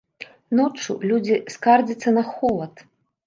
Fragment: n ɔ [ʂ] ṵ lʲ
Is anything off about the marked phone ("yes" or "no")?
yes